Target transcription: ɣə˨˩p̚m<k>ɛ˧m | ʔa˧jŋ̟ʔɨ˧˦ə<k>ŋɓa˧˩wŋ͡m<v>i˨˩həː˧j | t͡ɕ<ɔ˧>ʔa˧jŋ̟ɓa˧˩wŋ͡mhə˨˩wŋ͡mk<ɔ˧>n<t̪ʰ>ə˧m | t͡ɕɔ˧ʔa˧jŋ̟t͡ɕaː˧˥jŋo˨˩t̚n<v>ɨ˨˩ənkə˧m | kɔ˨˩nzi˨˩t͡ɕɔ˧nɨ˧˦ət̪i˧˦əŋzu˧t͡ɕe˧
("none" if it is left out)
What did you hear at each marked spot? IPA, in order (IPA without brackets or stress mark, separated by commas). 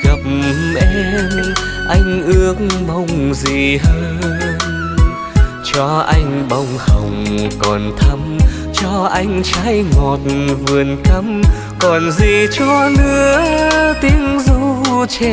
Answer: ʔ, k, z, ɔ˧, ɔ˨˩, t̪ʰ, v